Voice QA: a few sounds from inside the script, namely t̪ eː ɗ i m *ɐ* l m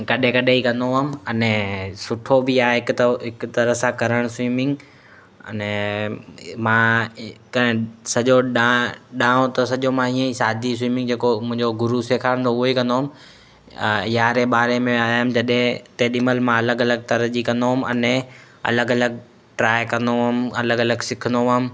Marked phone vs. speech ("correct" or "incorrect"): incorrect